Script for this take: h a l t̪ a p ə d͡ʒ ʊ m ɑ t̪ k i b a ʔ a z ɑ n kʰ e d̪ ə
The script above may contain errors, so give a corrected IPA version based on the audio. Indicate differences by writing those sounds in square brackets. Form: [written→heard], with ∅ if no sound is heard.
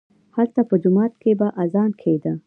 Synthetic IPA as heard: h a l t̪ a p ə d͡ʒ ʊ m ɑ t̪ k [i→e] b a ʔ a z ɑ n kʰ e d̪ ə